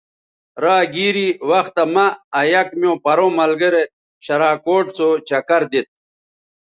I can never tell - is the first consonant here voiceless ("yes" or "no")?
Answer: no